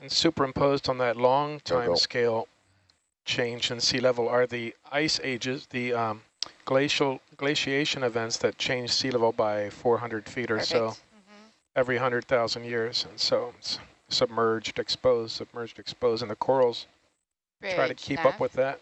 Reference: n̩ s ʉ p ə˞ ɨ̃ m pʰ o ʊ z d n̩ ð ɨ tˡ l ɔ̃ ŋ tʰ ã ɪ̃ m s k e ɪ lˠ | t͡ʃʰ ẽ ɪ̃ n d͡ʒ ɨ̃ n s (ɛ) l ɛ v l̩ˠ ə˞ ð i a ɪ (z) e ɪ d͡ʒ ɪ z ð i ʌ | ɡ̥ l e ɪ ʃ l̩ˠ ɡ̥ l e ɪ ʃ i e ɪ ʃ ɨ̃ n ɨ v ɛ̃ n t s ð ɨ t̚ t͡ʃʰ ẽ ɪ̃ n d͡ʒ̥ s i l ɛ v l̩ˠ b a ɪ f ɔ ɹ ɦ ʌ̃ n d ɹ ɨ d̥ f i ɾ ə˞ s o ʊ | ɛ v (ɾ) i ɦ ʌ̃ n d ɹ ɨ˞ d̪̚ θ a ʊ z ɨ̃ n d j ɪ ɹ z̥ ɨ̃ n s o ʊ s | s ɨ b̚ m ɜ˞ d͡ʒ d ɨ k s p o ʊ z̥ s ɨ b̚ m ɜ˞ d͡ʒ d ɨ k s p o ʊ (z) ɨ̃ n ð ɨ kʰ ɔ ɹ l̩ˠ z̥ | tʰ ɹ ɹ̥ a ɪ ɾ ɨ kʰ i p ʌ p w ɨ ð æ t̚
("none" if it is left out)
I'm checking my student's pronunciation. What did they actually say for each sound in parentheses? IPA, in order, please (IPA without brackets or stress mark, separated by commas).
i, s, ɹ, z